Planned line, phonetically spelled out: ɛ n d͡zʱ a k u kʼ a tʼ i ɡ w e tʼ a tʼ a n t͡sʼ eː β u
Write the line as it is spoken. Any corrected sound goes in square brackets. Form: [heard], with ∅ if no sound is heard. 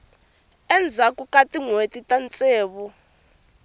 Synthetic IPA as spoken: ɛ n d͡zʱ a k u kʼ a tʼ i [ŋ] w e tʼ [i] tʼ a n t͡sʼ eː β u